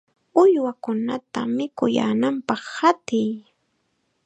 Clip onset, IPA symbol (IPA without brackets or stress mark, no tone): ʊ